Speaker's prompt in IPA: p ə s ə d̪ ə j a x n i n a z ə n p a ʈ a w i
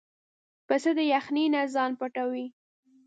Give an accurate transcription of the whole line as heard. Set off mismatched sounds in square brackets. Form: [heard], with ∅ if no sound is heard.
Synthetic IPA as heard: p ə s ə d̪ ə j a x n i n a z [ɑ] n p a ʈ a w i